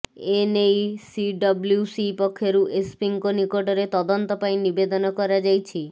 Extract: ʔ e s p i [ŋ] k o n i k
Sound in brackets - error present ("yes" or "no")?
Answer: no